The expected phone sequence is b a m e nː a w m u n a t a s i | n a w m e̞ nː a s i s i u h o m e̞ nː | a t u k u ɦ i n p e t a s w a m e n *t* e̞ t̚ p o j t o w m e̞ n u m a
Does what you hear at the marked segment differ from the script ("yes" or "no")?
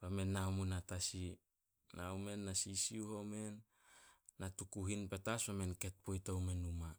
yes